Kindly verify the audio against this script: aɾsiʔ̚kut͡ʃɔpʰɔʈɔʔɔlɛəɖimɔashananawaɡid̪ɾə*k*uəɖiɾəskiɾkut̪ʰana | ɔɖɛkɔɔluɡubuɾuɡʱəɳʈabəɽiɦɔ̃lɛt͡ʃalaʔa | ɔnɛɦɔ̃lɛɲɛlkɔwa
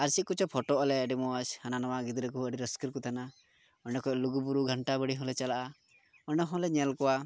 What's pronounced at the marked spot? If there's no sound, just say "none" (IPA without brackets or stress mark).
k